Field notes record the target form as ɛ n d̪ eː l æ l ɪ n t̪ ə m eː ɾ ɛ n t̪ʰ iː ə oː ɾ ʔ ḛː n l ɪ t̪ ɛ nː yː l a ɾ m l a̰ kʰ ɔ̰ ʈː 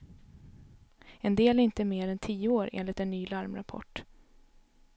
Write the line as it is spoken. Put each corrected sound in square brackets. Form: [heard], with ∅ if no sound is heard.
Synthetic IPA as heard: ɛ n d̪ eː l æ [ɾ] ɪ n t̪ ə m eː ɾ ɛ n t̪ʰ iː ə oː ɾ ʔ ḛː n l ɪ t̪ ɛ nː yː l a ɾ m [ɾ] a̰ [pʰ] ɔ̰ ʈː